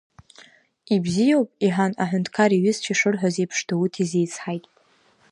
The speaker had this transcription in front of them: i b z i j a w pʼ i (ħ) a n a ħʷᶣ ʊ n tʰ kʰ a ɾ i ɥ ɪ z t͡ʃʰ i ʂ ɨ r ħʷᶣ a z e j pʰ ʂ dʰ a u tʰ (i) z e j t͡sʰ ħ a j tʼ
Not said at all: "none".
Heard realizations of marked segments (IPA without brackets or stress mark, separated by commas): ħ, i